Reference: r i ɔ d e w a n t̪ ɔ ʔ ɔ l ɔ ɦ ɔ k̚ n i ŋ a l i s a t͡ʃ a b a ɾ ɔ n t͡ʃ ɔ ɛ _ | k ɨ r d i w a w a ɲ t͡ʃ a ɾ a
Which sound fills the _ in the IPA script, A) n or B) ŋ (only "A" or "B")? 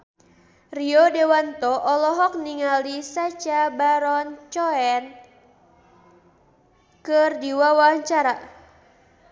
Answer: A